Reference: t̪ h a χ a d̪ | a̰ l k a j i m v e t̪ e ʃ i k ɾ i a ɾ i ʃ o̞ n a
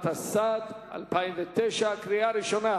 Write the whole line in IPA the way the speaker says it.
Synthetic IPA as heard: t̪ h a s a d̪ | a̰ l p a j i m v e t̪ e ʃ a k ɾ i a ɾ i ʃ o̞ n a